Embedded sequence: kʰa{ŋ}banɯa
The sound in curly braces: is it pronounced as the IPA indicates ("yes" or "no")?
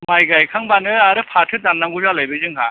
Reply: yes